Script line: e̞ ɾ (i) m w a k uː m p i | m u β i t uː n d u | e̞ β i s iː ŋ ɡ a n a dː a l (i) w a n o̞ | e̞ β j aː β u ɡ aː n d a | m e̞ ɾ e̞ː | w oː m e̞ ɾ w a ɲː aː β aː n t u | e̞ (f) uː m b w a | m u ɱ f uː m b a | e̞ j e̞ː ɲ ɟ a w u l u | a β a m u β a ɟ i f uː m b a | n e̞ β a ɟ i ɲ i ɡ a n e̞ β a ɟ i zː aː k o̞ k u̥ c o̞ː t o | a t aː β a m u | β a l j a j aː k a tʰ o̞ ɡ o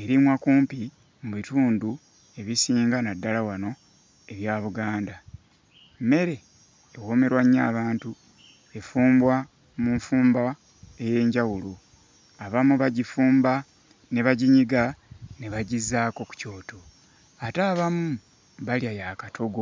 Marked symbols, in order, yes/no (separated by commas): yes, no, yes